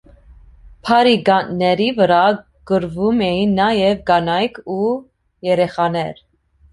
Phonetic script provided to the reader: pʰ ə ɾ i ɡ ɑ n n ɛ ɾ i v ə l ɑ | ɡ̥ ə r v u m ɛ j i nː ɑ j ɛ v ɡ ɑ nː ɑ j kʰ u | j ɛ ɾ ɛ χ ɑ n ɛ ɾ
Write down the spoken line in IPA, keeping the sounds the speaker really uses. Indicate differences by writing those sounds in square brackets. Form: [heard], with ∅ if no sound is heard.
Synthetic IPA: pʰ [ɑ] ɾ i ɡ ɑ n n ɛ ɾ i v ə [ɾ] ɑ | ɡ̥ ə [ɾ] v u m ɛ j i nː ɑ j ɛ v ɡ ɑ [n] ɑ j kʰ u | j ɛ ɾ ɛ χ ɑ n ɛ ɾ

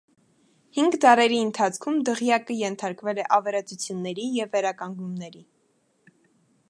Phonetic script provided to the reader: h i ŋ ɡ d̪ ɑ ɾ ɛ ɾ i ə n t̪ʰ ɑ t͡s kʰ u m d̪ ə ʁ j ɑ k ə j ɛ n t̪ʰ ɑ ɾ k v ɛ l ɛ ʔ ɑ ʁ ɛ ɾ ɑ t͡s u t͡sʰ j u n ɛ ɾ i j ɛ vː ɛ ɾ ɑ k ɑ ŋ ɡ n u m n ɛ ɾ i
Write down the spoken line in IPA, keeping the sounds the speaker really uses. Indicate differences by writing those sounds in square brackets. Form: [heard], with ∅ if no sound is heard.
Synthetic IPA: h i ŋ ɡ d̪ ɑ ɾ ɛ ɾ i ə n t̪ʰ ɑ [t͡sʰ] kʰ u m d̪ ə ʁ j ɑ k ə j ɛ n t̪ʰ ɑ ɾ k v ɛ l ɛ ʔ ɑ [v] ɛ ɾ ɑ t͡s u t͡sʰ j u [nː] ɛ ɾ i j ɛ vː ɛ ɾ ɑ k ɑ ŋ ɡ n u m n ɛ ɾ i

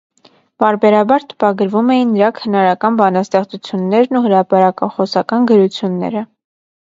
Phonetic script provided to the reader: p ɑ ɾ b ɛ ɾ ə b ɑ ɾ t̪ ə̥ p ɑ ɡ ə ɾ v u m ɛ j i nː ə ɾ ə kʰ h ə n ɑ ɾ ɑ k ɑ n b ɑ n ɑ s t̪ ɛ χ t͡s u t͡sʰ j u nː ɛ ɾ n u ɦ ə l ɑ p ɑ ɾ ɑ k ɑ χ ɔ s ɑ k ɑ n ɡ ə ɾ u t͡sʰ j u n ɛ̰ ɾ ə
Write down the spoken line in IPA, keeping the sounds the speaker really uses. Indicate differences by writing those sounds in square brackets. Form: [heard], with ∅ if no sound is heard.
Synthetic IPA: p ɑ ɾ b ɛ ɾ [ɑ] b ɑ ɾ t̪ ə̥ p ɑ ɡ ə ɾ v u m ɛ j i nː ə ɾ [ɑ] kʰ h ə n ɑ ɾ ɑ k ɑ n b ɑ n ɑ s t̪ ɛ χ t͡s u t͡sʰ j u nː ɛ ɾ n u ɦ ə [ɾ] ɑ p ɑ ɾ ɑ k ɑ χ ɔ s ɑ k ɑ n ɡ ə ɾ u t͡sʰ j u [nː] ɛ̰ ɾ ə

